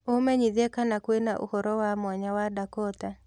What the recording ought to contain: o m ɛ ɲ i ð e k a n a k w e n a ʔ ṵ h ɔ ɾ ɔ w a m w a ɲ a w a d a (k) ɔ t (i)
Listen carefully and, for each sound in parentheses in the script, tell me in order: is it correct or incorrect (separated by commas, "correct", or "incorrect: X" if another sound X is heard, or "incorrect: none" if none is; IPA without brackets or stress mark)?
correct, incorrect: a